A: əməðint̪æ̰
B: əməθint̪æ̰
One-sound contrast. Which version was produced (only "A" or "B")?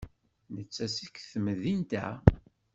A